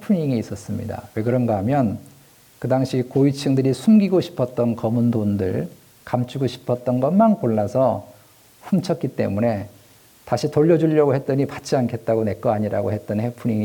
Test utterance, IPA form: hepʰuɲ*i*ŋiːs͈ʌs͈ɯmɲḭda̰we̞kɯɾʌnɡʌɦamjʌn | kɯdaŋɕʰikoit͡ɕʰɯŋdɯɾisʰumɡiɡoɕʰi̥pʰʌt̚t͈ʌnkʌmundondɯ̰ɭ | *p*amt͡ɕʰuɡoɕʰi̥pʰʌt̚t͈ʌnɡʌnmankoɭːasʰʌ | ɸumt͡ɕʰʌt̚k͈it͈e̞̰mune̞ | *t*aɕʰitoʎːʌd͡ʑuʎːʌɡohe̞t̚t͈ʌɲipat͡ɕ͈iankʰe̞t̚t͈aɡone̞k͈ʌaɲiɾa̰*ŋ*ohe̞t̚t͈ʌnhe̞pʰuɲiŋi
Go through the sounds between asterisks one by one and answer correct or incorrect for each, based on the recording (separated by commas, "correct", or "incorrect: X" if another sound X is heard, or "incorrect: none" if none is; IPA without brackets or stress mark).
correct, incorrect: k, correct, incorrect: ɡ